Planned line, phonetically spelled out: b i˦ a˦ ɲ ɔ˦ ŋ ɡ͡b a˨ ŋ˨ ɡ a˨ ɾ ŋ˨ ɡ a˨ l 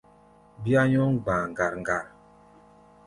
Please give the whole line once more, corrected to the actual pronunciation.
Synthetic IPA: b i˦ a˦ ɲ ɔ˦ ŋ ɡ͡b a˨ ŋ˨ ɡ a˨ ɾ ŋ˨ ɡ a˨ ɾ